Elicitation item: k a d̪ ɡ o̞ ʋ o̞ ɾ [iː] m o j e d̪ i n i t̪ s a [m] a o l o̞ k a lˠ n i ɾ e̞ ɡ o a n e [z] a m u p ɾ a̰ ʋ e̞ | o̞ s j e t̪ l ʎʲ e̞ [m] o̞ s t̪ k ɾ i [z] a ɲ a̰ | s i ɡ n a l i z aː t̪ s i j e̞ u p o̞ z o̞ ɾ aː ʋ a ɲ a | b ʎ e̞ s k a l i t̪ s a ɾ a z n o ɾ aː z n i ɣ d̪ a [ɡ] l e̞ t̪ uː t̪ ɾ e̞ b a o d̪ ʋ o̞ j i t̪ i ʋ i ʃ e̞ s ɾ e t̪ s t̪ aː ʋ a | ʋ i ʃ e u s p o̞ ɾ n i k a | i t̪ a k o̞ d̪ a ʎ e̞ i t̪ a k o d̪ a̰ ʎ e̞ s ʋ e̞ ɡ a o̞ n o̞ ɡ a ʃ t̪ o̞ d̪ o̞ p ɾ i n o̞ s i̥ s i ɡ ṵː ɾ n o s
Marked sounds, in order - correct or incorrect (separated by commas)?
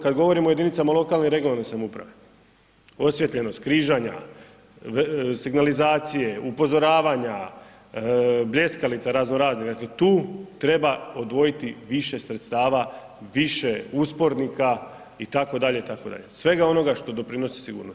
incorrect, correct, incorrect, incorrect, incorrect, incorrect